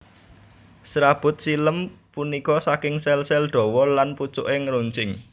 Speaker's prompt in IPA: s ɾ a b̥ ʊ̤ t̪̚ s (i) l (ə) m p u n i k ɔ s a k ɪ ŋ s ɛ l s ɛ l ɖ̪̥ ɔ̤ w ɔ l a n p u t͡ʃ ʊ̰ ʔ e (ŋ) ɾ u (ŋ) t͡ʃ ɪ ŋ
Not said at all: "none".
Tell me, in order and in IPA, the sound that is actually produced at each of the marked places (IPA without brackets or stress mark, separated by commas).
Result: i, ə, ŋ, ɲ